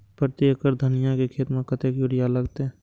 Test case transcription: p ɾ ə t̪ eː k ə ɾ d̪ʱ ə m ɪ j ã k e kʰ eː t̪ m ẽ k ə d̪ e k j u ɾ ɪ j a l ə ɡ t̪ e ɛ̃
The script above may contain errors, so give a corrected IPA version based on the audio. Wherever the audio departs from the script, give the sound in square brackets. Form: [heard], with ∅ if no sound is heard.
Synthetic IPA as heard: p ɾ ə t̪ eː k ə ɾ d̪ʱ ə [n] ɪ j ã k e kʰ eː t̪ m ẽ k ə [t̪] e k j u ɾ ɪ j a l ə ɡ t̪ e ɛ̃